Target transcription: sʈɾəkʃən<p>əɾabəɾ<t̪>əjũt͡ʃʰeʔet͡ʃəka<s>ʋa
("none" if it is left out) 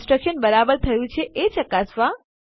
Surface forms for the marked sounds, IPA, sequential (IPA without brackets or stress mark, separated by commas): b, t̪ʰ, s